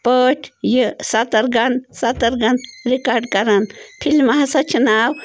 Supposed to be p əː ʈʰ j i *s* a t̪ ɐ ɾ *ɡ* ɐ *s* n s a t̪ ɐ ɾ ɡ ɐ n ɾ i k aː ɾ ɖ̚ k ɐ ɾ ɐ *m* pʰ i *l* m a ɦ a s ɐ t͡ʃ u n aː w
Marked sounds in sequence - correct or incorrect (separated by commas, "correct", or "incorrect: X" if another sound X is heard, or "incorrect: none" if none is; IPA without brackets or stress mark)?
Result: correct, correct, incorrect: none, incorrect: n, correct